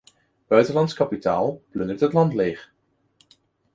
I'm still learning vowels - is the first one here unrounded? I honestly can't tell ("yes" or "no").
no